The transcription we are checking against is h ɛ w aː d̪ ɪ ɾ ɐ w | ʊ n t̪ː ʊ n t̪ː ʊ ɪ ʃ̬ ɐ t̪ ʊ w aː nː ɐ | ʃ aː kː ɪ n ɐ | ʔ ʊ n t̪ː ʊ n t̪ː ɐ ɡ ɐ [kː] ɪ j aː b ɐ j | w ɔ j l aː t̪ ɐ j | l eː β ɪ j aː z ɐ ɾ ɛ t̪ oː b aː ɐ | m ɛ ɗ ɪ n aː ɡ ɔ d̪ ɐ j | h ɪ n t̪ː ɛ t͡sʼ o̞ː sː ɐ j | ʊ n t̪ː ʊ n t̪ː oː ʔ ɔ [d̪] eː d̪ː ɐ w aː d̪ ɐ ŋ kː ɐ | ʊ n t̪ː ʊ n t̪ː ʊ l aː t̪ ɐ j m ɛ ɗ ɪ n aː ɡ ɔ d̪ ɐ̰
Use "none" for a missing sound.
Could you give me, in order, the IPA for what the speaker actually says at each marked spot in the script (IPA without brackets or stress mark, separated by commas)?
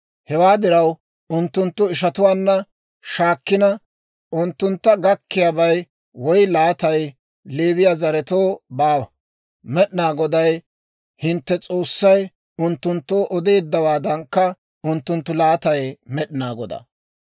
kː, d̪